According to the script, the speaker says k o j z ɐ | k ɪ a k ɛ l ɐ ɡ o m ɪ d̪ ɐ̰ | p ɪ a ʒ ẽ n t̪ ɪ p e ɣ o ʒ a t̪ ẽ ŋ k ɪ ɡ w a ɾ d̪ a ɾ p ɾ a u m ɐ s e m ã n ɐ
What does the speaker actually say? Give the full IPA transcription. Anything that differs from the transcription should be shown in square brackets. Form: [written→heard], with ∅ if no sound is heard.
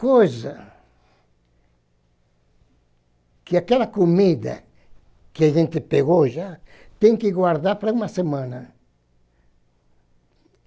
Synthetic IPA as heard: k o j z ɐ | k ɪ a k ɛ l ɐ [ɡ→k] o m [ɪ→i] d̪ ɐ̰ | [p→k] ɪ a ʒ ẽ n t̪ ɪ p e ɣ o ʒ a t̪ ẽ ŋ k ɪ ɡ w a ɾ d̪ a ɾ p ɾ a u m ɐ s e m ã n ɐ

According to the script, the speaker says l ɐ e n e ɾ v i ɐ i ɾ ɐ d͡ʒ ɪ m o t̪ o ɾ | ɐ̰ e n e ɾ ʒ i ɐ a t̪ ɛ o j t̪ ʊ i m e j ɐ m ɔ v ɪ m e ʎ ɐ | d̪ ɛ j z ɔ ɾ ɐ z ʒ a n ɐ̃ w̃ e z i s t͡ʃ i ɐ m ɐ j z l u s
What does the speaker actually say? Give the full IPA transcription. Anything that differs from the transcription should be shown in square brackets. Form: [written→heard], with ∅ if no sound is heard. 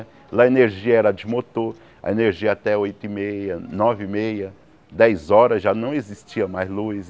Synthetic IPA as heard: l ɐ e n e ɾ [v→ʒ] i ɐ [i→ɛ] ɾ ɐ d͡ʒ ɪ m o t̪ o ɾ | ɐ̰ e n e ɾ ʒ i ɐ a t̪ ɛ o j t̪ ʊ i m e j ɐ [m→n] ɔ v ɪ m e [ʎ→j] ɐ | d̪ ɛ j z ɔ ɾ ɐ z ʒ a n ɐ̃ w̃ e z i s t͡ʃ i ɐ m [ɐ→a] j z l u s

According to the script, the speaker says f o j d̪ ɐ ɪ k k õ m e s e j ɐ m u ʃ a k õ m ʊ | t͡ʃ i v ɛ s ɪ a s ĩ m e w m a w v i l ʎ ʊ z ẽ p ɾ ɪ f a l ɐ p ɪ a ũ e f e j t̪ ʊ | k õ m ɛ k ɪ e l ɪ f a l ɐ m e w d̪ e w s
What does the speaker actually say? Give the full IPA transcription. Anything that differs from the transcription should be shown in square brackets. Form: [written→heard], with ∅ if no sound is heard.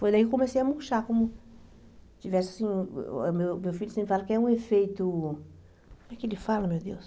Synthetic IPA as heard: f o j d̪ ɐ [ɪ→i] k k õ m e s e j ɐ m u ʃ a k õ m ʊ | t͡ʃ i v ɛ s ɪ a s ĩ m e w m [a→e] w [v→f] i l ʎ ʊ [z→s] ẽ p ɾ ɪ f a l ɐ [p→k] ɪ [a→ɛ] ũ e f e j t̪ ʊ | k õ m ɛ k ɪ e l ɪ f a l ɐ m e w d̪ e w s

